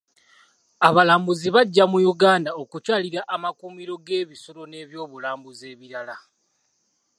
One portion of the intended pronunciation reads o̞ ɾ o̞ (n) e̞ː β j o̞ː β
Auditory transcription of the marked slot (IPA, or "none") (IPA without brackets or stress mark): n